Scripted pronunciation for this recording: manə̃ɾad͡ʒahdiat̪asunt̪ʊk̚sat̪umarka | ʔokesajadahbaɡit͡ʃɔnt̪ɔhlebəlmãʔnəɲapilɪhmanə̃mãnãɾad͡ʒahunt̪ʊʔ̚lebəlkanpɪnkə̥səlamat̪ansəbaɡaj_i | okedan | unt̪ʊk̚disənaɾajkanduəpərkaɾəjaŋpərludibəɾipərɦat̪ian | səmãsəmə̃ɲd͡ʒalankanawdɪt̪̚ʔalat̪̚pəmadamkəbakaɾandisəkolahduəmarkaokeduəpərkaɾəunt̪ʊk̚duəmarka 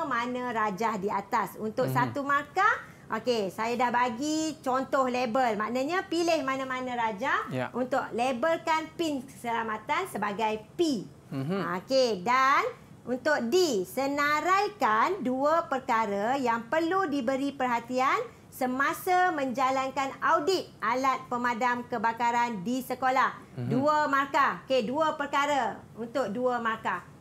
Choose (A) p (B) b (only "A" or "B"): A